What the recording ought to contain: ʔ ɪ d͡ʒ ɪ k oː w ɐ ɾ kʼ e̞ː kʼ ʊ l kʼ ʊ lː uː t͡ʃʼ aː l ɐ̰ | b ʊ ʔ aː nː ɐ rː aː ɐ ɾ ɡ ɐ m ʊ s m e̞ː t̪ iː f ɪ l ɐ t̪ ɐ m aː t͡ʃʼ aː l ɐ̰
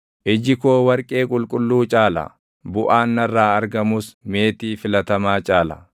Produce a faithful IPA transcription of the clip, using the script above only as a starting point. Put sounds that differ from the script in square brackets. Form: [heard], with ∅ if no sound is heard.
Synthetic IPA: ʔ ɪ d͡ʒ ɪ k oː w ɐ ɾ kʼ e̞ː kʼ ʊ l kʼ ʊ lː uː t͡ʃʼ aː l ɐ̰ | b ʊ ʔ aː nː ɐ rː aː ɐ ɾ ɡ ɐ m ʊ s m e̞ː t̪ iː f ɪ l ɐ t̪ ɐ m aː t͡ʃʼ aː l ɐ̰